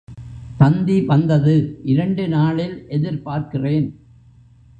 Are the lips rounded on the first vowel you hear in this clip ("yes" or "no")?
no